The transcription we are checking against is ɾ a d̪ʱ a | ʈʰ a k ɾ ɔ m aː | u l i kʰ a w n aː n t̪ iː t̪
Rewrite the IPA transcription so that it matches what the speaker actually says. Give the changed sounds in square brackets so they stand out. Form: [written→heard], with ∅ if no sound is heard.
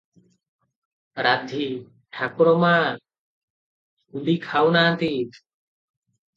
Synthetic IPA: ɾ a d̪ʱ [a→i] | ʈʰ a k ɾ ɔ m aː | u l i kʰ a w n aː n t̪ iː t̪